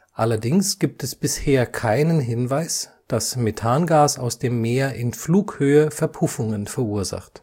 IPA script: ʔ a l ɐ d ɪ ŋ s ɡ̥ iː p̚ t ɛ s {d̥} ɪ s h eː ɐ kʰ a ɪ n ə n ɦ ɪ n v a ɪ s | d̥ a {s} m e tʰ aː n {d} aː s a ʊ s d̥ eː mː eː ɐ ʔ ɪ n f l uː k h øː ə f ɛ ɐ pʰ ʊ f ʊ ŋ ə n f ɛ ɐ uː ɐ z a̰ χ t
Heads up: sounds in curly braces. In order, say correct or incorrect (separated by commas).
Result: incorrect, correct, incorrect